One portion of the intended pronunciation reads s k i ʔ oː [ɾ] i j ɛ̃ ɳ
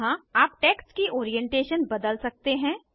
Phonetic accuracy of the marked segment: correct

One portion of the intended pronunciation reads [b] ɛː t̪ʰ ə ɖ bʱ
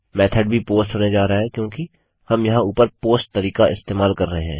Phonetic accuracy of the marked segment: incorrect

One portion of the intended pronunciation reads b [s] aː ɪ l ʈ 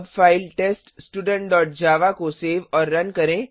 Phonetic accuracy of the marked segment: incorrect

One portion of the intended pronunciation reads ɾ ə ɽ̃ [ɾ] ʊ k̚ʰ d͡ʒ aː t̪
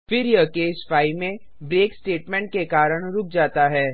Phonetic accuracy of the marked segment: correct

